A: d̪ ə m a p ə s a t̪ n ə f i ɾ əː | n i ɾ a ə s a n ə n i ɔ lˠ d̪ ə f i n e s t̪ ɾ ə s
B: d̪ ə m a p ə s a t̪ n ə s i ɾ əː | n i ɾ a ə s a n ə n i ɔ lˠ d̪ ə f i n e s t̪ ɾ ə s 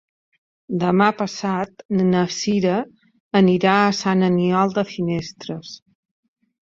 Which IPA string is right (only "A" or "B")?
B